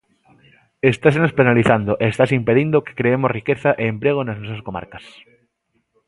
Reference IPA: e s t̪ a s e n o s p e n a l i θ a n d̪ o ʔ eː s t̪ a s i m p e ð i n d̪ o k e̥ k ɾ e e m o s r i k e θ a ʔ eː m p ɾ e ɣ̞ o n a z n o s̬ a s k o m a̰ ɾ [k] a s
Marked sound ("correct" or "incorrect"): correct